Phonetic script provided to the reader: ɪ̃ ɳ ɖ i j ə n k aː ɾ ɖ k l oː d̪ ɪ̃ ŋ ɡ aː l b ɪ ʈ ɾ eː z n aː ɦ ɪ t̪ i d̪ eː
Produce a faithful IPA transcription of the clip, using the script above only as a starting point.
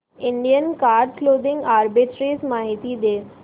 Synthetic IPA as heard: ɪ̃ ɳ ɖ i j ə n k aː ɾ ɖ k l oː d̪ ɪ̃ ŋ ɡ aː ɾ b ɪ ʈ ɾ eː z m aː ɦ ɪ t̪ i d̪ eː